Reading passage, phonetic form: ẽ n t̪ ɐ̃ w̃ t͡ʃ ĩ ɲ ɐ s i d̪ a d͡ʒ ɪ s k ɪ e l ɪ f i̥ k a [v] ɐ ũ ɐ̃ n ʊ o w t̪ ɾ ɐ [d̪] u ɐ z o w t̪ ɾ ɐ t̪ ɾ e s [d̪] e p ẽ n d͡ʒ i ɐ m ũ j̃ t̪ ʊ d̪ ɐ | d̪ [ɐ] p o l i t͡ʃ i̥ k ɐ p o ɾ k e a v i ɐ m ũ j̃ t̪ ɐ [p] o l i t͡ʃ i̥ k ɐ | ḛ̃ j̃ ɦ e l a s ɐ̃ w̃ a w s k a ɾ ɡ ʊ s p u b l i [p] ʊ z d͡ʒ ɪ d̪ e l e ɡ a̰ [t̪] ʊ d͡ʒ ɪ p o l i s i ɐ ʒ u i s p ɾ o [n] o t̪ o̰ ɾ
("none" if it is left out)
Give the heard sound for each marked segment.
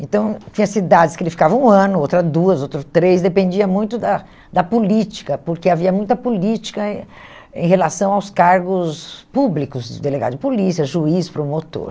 v, d̪, d̪, ɐ, p, k, d̪, m

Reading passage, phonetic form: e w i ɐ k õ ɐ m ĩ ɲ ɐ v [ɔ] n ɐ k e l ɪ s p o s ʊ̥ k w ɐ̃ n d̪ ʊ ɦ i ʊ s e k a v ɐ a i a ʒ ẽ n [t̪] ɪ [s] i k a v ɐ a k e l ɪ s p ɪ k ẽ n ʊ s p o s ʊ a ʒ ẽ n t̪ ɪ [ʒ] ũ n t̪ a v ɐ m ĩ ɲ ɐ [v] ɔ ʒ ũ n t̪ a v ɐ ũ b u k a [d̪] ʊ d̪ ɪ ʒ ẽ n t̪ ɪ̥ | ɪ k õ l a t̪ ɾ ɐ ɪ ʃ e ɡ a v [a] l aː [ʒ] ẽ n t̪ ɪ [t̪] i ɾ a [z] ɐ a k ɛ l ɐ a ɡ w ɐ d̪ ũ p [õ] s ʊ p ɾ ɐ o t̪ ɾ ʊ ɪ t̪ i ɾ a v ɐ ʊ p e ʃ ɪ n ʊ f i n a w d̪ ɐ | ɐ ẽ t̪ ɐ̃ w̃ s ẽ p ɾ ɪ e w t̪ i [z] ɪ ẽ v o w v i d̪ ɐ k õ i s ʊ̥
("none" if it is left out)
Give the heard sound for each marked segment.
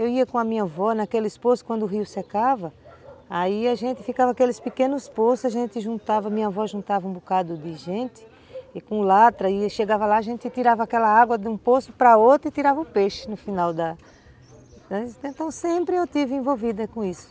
ɔ, t̪, f, ʒ, v, d̪, ɐ, ʒ, t̪, v, o, v

